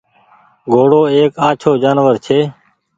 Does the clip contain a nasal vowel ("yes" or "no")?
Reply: no